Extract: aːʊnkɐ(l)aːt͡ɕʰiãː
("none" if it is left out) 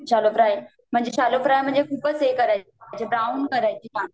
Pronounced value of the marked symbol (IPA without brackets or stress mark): ɾ